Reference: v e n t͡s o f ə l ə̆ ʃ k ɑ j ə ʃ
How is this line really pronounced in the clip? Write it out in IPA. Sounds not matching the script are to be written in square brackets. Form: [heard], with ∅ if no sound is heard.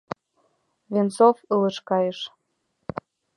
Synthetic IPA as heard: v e n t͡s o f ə l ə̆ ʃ k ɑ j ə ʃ